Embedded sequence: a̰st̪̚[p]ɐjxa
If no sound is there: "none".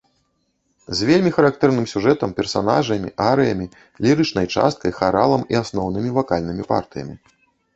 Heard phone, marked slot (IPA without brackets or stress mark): k